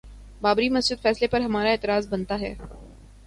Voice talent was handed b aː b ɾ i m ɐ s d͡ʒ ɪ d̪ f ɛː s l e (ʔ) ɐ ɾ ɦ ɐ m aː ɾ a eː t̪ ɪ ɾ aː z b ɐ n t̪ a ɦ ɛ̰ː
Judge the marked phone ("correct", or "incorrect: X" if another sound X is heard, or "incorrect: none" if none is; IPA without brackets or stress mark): incorrect: p